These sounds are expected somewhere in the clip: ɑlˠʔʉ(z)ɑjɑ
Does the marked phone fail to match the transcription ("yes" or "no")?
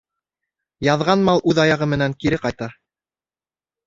yes